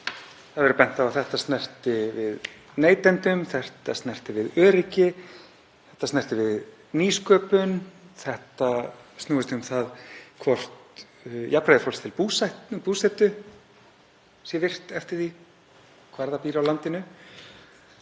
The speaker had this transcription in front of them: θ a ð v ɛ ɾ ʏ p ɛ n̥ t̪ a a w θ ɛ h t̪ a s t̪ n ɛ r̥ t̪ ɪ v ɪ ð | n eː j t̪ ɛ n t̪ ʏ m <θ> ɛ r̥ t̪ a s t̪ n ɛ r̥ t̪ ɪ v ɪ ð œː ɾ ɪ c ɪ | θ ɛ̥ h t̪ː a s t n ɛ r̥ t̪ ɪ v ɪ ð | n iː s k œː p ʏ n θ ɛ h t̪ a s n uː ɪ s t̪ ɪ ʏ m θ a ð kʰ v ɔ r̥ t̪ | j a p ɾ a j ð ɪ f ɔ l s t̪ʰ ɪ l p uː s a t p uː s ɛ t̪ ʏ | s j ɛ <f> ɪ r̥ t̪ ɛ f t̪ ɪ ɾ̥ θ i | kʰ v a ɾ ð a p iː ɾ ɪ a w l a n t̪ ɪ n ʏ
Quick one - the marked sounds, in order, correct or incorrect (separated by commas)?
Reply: correct, incorrect